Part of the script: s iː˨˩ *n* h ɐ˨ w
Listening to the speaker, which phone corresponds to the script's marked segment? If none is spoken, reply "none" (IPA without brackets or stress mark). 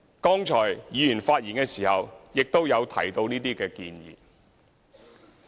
none